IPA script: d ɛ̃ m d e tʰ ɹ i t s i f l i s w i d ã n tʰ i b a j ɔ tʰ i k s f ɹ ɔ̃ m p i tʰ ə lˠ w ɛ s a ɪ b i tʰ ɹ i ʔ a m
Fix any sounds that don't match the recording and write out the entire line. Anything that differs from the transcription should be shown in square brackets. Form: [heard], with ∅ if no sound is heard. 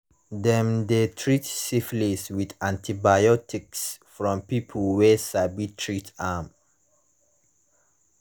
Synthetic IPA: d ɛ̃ m d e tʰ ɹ i t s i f l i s w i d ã n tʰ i b a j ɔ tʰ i k s f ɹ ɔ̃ m p i [pʰ] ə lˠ w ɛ s a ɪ b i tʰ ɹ i [t] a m